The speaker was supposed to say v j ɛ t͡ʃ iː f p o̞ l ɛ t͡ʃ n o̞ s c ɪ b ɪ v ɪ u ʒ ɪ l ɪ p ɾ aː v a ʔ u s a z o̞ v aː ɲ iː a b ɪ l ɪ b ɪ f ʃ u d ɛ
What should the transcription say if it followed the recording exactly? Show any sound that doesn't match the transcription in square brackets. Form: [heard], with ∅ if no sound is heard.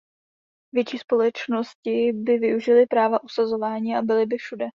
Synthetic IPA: v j ɛ t͡ʃ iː [s] p o̞ l ɛ t͡ʃ n o̞ s c ɪ b ɪ v ɪ u ʒ ɪ l ɪ p ɾ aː v a ʔ u s a z o̞ v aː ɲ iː a b ɪ l ɪ b ɪ f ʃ u d ɛ